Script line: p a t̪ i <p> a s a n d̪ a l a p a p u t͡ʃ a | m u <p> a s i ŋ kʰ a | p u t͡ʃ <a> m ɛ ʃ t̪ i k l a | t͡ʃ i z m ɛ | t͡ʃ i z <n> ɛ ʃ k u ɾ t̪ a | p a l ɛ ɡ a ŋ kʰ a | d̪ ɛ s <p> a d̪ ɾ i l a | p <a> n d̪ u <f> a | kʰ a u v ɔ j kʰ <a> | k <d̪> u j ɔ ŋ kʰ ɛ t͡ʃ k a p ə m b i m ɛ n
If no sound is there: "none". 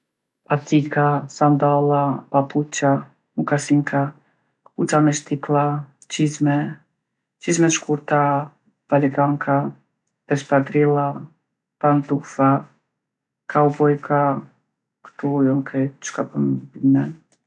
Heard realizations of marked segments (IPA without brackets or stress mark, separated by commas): k, k, a, m, p, a, f, a, t̪